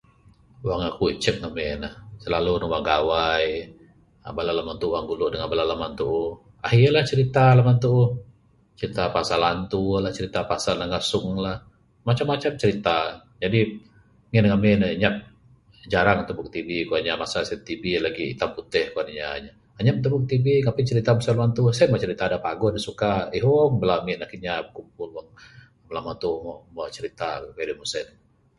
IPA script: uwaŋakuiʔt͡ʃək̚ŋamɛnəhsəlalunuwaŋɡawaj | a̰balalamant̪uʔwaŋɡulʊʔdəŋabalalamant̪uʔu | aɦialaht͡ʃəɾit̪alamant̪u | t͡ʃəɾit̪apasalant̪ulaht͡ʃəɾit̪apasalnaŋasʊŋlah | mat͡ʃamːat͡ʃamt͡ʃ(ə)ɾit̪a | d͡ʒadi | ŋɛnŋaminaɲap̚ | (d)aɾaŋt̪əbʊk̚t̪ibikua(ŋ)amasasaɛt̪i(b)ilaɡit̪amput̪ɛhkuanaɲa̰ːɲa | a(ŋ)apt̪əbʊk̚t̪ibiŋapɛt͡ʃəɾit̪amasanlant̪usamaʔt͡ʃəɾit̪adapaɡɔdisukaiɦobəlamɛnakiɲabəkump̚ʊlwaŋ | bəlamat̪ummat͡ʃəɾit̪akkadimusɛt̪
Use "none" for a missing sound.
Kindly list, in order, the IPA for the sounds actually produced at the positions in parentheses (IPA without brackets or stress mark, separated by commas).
ə, d͡ʒ, ɲ, b, ɲ